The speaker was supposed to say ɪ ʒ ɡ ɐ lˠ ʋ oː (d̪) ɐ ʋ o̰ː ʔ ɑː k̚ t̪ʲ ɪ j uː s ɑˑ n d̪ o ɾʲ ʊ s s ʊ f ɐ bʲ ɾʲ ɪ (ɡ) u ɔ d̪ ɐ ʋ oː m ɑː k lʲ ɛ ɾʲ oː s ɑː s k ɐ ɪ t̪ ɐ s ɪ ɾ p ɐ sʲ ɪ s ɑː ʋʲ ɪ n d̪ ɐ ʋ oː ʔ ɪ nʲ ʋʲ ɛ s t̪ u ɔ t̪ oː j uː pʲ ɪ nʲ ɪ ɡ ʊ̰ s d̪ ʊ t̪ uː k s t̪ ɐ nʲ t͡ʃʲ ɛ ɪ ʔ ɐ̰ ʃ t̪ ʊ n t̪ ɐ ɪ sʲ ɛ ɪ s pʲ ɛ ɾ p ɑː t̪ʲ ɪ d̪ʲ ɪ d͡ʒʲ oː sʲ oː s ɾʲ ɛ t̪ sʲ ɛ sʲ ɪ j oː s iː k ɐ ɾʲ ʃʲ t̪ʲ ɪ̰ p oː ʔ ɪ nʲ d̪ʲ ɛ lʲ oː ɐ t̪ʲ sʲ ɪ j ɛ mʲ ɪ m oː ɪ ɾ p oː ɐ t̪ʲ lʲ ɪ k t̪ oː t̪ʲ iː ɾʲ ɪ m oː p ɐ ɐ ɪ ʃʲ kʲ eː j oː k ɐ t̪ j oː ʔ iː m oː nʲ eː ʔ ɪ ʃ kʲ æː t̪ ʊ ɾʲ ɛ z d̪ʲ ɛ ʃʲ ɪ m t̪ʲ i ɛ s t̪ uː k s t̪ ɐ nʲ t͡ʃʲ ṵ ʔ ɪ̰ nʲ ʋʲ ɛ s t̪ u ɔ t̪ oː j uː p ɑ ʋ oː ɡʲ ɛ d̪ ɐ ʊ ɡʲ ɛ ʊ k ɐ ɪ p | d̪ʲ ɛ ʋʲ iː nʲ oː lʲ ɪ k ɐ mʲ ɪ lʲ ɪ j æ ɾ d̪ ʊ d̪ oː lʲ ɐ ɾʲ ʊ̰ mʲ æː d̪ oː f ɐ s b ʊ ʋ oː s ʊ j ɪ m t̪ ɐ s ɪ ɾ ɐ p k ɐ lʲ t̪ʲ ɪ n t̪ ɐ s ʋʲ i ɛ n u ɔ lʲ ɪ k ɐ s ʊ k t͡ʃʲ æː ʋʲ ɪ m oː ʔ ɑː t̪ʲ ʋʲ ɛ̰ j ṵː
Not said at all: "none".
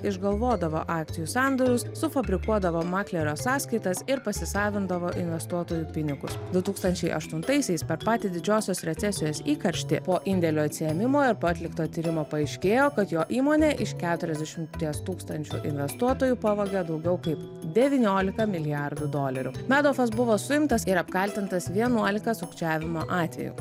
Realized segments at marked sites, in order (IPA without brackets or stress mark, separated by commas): d̪, k